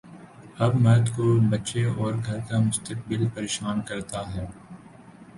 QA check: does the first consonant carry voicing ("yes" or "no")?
yes